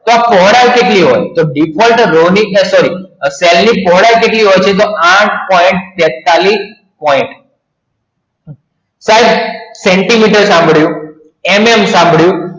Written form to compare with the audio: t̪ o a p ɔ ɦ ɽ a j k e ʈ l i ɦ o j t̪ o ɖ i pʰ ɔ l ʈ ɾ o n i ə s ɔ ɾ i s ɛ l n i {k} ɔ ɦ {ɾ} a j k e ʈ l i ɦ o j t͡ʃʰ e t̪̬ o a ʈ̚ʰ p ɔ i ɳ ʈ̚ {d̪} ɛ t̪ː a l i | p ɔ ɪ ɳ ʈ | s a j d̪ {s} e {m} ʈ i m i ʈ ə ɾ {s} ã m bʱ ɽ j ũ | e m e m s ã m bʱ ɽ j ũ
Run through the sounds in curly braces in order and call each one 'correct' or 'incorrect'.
incorrect: p, incorrect: ɽ, incorrect: t̪, correct, incorrect: ɳ, correct

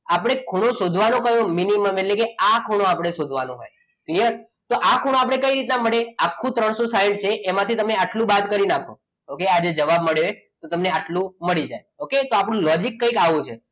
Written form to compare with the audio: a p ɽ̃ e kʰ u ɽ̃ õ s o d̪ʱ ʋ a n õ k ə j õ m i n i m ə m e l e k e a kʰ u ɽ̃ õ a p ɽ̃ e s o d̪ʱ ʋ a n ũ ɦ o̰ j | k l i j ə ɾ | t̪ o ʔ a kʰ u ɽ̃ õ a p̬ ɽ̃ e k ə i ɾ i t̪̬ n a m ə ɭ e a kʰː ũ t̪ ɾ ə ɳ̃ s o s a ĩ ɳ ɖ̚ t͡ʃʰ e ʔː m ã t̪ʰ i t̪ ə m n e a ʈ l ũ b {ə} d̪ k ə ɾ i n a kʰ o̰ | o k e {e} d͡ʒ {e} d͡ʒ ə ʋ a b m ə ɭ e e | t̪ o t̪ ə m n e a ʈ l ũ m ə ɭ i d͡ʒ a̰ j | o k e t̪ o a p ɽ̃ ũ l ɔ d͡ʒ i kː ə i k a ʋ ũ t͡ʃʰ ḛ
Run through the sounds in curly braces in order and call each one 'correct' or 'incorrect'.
incorrect: a, incorrect: a, correct

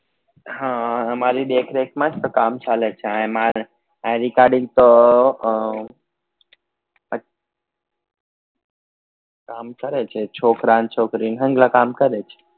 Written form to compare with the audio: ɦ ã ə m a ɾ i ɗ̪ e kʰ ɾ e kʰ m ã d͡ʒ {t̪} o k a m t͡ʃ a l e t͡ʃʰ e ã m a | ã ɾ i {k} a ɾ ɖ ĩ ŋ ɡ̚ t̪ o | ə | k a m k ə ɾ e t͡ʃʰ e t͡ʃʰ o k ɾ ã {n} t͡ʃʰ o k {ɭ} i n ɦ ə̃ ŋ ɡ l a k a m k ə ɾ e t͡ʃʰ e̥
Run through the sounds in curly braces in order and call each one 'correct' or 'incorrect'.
correct, correct, correct, incorrect: ɾ

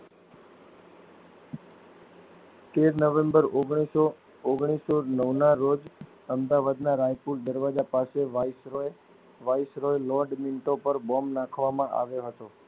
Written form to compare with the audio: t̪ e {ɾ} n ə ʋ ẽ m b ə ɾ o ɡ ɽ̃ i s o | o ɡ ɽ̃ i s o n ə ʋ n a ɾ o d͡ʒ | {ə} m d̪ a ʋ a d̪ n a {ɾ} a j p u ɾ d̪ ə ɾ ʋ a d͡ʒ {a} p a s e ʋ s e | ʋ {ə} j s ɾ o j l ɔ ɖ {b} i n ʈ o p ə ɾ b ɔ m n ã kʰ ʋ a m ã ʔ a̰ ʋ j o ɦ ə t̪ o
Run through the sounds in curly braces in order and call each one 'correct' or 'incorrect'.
correct, correct, correct, correct, incorrect: a, incorrect: m

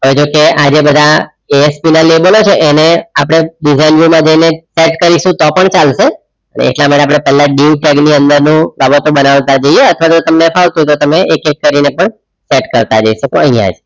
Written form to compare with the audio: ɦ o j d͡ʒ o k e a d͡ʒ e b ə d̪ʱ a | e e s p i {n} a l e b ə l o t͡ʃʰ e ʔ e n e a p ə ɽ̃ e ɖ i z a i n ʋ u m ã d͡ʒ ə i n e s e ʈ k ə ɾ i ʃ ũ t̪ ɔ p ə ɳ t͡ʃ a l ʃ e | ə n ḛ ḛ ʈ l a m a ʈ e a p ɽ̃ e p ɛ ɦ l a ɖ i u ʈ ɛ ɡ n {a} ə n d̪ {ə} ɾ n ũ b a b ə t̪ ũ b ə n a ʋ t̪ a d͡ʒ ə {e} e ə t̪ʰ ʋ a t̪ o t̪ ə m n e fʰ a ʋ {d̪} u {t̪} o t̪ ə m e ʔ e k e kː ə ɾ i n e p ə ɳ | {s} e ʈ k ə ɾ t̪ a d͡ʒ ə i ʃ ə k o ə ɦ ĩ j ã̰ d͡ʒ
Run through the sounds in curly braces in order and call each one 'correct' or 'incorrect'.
correct, incorrect: i, correct, incorrect: i, incorrect: t̪, correct, correct

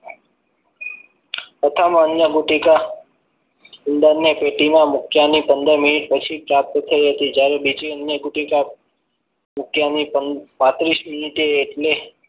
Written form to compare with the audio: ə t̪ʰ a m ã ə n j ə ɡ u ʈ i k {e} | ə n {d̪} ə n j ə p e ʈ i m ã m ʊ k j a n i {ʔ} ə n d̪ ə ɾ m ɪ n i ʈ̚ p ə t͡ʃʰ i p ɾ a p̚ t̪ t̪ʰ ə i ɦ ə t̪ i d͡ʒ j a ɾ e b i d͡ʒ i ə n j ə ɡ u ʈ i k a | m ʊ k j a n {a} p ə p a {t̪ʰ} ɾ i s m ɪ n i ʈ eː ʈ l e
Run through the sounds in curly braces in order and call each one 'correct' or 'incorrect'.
incorrect: a, correct, incorrect: p, incorrect: i, incorrect: t̪

